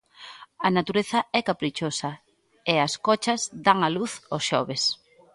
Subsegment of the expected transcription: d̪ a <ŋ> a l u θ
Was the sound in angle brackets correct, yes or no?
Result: yes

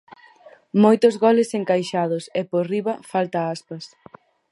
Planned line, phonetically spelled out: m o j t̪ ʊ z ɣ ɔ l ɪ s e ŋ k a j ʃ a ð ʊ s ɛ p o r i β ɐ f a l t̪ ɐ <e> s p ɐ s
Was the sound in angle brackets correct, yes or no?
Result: no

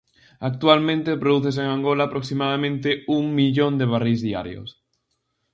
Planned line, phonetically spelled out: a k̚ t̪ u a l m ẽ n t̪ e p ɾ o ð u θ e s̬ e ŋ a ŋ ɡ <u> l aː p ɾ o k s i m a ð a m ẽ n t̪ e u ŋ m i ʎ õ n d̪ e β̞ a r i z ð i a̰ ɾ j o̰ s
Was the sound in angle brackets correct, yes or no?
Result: no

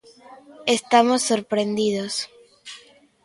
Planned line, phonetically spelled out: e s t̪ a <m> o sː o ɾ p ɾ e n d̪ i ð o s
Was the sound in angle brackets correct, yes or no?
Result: yes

